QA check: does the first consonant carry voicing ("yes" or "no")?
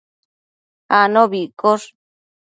yes